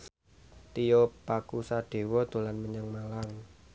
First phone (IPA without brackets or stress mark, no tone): t̪